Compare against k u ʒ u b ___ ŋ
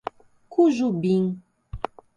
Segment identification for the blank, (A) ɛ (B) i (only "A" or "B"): B